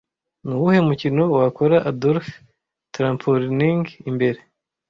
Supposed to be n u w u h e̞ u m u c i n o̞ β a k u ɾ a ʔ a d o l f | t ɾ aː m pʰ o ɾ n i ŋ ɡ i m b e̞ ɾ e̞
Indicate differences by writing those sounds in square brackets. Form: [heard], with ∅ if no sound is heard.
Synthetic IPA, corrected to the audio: n u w u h e̞ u m u c i n o̞ [w] a k [o] ɾ a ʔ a d o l f | t ɾ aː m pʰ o ɾ n i ŋ ɡ i m b e̞ ɾ e̞